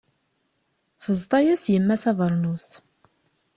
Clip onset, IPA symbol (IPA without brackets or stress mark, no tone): θ